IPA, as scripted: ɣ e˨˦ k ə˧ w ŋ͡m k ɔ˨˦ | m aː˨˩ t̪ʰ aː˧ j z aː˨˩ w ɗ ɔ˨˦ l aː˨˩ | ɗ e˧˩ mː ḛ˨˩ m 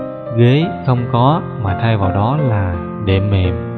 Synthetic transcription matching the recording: ɣ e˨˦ x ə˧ w ŋ͡m k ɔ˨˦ | m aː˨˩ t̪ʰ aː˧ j v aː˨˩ w ɗ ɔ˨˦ l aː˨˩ | ɗ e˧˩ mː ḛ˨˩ m

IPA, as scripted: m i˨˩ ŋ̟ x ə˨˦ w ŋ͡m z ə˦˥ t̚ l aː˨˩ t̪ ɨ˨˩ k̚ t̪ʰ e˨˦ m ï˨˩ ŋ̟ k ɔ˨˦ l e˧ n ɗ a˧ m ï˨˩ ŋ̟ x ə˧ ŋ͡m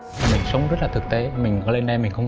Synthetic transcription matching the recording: m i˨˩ ŋ̟ s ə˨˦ w ŋ͡m z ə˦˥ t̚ l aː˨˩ t̪ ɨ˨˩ k̚ t̪ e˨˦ m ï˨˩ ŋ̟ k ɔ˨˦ l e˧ n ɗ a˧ m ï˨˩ ŋ̟ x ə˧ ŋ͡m

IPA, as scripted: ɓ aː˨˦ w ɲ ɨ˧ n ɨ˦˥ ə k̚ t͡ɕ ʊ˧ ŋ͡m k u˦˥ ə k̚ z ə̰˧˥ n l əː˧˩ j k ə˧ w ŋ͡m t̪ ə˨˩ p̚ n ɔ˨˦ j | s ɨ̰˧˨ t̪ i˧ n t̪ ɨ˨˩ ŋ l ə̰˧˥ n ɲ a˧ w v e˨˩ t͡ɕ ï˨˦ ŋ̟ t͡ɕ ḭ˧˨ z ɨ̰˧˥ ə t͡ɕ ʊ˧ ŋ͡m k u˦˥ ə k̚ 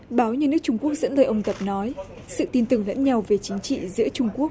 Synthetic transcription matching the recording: ɓ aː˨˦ w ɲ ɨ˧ n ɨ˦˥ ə k̚ t͡ɕ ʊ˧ ŋ͡m k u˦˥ ə k̚ z ə̰˧˥ n l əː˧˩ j ʔ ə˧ w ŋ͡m t̪ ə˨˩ p̚ n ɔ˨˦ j | s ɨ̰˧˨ t̪ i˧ n t̪ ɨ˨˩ ŋ l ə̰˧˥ n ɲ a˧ w v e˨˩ t͡ɕ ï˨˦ ŋ̟ t͡ɕ ḭ˧˨ z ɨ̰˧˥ ə t͡ɕ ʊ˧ ŋ͡m k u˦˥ ə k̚

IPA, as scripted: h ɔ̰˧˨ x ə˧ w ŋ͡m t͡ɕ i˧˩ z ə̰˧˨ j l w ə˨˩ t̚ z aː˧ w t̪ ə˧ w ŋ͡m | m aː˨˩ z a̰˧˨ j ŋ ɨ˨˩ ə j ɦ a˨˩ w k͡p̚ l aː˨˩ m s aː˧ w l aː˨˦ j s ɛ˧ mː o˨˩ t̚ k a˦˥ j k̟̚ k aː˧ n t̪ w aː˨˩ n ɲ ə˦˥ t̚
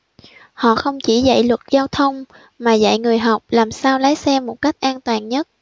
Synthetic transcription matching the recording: h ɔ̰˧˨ x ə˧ w ŋ͡m t͡ɕ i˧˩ z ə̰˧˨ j l w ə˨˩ t̚ z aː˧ w t̪ʰ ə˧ w ŋ͡m | m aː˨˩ z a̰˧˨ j ŋ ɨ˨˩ ə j ɦ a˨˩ w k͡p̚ l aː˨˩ m s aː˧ w l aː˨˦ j s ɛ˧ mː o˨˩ t̚ k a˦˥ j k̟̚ ʔ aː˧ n t̪ w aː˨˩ n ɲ ə˦˥ t̚

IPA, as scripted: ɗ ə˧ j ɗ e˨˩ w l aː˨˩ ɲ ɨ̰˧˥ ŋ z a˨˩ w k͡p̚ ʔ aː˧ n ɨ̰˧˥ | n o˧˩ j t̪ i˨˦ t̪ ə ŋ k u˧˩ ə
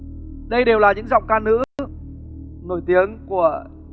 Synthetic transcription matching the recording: ɗ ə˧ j ɗ e˨˩ w l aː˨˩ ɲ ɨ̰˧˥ ŋ z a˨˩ w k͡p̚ k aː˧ n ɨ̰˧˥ | n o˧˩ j t̪ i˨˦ ə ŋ k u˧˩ ə

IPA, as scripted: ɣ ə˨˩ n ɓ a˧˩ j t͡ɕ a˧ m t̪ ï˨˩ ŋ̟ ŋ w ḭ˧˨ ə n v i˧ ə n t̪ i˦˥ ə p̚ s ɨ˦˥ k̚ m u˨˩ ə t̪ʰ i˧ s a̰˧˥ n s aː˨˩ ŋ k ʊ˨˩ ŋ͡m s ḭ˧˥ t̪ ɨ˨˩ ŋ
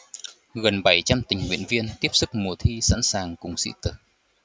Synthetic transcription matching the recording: ɣ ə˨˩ n ɓ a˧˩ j t͡ɕ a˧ m t̪ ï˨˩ ŋ̟ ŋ w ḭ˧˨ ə n v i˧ ə n t̪ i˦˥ ə p̚ s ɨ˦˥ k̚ m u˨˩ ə t̪ʰ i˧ s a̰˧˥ n s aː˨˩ ŋ k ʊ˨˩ ŋ͡m s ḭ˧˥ t̪ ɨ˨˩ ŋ

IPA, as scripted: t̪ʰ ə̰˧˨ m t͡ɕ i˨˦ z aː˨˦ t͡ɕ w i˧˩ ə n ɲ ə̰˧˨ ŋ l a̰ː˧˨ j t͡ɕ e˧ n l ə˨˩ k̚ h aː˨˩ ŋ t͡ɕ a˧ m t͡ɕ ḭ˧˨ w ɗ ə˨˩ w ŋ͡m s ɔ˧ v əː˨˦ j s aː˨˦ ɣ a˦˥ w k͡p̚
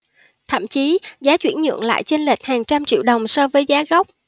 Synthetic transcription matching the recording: t̪ʰ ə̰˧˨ m t͡ɕ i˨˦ z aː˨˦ t͡ɕ w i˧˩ ə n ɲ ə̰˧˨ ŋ l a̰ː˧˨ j t͡ɕ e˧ n l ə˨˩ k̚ h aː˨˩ ŋ t͡ɕ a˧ m t͡ɕ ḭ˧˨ w ɗ ə˨˩ w ŋ͡m s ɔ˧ v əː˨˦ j z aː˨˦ ɣ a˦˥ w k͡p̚

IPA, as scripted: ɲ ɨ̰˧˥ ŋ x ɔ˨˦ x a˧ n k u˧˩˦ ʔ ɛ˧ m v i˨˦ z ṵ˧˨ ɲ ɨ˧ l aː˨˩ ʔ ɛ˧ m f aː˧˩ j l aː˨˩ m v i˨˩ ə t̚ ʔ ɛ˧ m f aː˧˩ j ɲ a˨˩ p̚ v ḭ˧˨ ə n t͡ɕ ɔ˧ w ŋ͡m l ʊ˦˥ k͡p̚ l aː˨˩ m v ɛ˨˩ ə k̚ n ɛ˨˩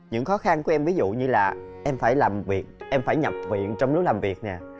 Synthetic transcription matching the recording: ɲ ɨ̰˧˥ ŋ x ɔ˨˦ x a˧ n k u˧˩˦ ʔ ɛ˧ m v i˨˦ z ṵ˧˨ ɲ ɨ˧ l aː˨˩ ʔ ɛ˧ m f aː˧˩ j l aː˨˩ m v i˨˩ ə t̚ ʔ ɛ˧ m f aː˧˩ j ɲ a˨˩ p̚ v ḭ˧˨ ə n t͡ɕ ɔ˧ w ŋ͡m l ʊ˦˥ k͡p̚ l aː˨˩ m v i˨˩ ə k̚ n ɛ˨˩

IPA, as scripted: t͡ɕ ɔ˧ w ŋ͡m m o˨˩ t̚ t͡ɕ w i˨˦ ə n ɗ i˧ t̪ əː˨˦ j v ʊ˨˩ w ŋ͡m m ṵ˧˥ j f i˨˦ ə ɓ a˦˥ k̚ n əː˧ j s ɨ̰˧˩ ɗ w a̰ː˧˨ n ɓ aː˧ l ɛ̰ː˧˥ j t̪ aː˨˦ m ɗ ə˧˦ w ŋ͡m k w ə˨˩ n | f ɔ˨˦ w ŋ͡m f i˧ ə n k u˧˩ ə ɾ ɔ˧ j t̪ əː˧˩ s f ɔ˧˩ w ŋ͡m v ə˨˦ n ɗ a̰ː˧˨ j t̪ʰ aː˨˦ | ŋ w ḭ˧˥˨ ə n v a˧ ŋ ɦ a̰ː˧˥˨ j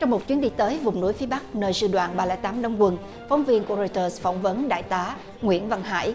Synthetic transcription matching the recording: t͡ɕ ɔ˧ w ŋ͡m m o˨˩ t̚ t͡ɕ w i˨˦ ə n ɗ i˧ t̪ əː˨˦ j v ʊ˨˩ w ŋ͡m n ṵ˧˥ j f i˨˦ ə ɓ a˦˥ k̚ n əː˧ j s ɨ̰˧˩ ɗ w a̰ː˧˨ n ɓ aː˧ l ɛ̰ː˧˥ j t̪ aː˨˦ m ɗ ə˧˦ w ŋ͡m k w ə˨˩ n | f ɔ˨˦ w ŋ͡m v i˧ ə n k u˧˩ ə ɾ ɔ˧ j t̪ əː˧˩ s f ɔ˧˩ w ŋ͡m v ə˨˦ n ɗ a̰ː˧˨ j t̪ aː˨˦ | ŋ w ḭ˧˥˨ ə n v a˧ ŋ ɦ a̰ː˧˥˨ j

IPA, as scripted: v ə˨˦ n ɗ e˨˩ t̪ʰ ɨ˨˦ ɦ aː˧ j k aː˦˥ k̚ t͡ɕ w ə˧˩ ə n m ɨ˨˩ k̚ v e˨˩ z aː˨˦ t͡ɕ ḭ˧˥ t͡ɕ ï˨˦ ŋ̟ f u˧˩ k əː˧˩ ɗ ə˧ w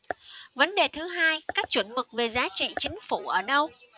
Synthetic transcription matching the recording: v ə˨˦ n ɗ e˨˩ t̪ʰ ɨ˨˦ ɦ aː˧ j k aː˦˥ k̚ t͡ɕ w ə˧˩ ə n m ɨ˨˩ k̚ v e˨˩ z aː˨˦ t͡ɕ ḭ˧˨ t͡ɕ ï˨˦ ŋ̟ f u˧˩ ʔ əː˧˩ ɗ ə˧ w

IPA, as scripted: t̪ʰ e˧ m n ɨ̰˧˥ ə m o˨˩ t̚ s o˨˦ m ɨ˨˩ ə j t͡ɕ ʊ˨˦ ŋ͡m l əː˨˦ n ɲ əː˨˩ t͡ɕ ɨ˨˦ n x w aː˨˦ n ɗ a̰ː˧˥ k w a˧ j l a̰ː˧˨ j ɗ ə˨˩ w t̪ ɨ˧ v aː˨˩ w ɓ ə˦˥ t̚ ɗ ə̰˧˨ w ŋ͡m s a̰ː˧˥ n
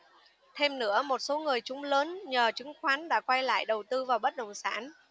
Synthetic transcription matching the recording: t̪ʰ e˧ m n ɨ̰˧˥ ə m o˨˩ t̚ s o˨˦ ŋ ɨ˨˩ ə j t͡ɕ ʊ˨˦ ŋ͡m l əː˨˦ n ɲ əː˨˩ t͡ɕ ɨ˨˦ ŋ x w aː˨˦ n ɗ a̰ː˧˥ k w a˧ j l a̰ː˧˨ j ɗ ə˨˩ w t̪ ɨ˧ v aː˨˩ w ɓ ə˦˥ t̚ ɗ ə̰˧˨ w ŋ͡m s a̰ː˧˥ n

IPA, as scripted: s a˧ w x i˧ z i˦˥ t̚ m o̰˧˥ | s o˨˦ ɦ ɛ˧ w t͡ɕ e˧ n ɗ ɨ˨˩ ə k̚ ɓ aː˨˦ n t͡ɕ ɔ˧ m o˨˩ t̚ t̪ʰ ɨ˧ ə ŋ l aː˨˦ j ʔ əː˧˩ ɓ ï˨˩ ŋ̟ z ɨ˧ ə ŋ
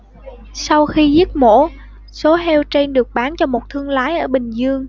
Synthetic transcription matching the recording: s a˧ w x i˧ z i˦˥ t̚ m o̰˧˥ | s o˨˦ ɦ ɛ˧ w t͡ɕ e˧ n ɗ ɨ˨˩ ə k̚ ɓ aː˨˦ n t͡ɕ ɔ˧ m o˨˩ t̚ t̪ʰ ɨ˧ ə ŋ l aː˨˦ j ʔ əː˧˩ ɓ ï˨˩ ŋ̟ z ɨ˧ ə ŋ

